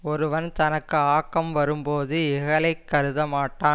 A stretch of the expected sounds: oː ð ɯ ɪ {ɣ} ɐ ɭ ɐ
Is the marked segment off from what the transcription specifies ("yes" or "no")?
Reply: no